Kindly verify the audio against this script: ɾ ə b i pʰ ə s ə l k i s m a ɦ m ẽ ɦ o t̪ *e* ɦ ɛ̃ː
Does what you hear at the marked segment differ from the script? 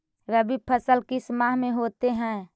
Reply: no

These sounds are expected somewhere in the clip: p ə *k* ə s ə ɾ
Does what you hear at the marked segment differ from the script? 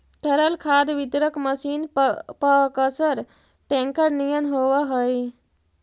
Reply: no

